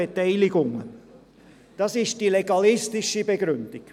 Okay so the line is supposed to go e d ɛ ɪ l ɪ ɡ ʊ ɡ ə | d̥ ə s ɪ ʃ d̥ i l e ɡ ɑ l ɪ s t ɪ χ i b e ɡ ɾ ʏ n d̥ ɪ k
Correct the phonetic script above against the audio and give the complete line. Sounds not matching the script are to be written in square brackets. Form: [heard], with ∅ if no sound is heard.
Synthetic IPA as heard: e [t] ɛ ɪ l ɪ ɡ ʊ [ŋ] ə | d̥ [ɑ] s ɪ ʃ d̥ i l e ɡ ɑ l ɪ s t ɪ [ʃ] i b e ɡ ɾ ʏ n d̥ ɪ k